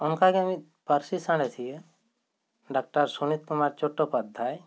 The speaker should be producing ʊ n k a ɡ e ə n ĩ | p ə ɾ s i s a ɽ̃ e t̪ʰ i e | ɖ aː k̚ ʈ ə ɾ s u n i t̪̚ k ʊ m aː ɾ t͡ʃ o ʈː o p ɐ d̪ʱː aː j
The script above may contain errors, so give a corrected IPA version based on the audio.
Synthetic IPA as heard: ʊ n k a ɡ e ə m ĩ | p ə ɾ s i s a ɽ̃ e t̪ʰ i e | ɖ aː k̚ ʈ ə ɾ s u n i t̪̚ k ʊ m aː ɾ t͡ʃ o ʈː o p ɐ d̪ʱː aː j